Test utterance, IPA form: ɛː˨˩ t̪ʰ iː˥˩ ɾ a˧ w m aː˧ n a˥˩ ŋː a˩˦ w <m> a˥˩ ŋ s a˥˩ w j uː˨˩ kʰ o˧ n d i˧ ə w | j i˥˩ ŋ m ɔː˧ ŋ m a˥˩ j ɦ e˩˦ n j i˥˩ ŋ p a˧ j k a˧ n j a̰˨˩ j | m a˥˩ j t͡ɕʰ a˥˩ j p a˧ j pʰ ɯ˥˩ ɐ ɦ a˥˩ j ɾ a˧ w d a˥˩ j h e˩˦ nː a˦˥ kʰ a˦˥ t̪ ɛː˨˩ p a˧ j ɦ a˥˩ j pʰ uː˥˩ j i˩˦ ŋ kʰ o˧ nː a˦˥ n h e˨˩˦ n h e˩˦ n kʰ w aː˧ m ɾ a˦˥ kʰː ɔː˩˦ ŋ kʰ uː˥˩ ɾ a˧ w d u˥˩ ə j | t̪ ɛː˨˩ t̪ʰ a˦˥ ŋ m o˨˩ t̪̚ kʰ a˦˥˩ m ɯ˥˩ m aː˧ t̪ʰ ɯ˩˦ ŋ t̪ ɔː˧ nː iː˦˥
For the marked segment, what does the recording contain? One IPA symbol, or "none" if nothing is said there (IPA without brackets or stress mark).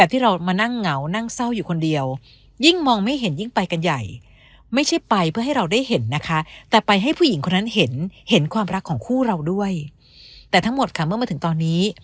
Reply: n